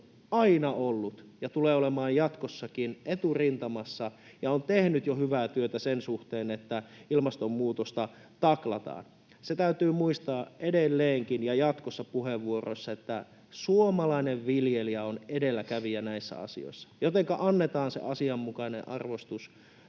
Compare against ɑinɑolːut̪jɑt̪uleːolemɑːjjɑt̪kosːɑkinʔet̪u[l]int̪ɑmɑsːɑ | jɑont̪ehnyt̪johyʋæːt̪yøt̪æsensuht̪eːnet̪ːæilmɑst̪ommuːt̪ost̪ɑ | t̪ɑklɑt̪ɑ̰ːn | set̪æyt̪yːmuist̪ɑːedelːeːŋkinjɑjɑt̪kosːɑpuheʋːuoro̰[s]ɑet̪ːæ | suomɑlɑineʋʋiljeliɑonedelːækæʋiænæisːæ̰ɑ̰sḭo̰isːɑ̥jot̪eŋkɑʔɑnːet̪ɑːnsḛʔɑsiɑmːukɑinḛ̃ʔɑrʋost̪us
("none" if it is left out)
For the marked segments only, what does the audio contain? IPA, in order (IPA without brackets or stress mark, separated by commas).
r, sː